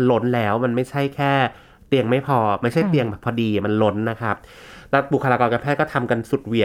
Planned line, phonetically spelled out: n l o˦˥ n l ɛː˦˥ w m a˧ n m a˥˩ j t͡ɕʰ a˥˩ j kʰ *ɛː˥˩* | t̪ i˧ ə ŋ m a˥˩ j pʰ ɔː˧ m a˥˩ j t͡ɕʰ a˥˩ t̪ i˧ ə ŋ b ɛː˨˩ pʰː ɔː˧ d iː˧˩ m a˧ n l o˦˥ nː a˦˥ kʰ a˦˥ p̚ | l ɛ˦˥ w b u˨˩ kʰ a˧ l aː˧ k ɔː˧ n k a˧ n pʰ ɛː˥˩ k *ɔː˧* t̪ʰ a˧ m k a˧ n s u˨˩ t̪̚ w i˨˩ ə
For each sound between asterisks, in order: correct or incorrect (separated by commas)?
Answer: correct, incorrect